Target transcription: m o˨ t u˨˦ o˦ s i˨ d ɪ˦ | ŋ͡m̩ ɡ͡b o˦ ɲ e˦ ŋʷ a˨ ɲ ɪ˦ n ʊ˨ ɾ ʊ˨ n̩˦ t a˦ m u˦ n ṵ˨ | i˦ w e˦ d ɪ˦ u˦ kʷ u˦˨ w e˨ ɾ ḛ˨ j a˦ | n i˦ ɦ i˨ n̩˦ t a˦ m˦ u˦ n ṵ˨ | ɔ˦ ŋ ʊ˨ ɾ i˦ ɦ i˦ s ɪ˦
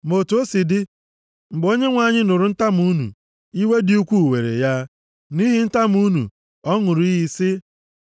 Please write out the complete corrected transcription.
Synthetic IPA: m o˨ t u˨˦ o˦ s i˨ d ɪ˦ | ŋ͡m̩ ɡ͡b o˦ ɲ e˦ ŋʷ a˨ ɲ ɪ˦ n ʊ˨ ɾ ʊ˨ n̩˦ t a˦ m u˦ n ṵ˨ | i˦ w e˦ d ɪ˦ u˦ kʷ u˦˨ w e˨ ɾ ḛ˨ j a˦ | n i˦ ɦ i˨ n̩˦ t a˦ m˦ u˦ n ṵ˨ | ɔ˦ ŋ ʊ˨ ɾ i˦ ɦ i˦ s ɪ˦

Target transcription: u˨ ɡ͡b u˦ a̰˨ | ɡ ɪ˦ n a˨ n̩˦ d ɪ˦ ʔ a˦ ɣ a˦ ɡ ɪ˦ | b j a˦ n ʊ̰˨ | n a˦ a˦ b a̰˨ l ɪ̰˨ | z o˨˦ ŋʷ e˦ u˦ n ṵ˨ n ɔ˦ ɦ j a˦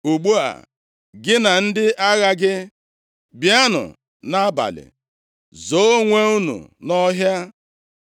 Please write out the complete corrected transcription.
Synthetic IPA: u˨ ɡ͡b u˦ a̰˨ | ɡ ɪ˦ n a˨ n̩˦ d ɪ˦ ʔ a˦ ɣ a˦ ɡ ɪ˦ | b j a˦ n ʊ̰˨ | n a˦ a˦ b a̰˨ l ɪ̰˨ | z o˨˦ ŋʷ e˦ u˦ n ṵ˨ n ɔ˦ ɦ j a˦

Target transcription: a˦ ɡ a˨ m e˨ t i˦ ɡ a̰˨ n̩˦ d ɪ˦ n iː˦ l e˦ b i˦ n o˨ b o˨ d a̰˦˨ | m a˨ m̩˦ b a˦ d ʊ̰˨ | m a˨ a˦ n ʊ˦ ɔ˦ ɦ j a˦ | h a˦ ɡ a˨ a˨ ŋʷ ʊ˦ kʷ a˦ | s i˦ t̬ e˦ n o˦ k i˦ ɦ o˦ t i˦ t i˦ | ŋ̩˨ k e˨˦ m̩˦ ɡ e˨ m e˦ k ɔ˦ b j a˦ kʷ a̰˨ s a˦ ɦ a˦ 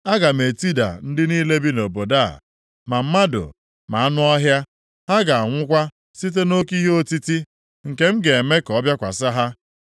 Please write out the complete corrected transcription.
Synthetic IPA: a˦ ɡ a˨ m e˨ t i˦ d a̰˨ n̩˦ d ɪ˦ n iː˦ l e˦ b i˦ n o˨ b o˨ d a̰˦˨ | m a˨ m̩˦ m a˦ d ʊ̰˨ | m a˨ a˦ n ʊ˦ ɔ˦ ɦ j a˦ | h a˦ ɡ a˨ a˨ ŋʷ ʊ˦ kʷ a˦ | s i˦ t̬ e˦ n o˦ k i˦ ɦ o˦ t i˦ t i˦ | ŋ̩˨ k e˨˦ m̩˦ ɡ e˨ m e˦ k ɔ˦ b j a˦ kʷ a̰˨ s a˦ ɦ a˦

